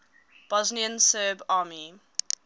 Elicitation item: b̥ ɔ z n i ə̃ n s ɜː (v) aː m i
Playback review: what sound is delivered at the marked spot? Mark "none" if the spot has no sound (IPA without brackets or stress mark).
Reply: b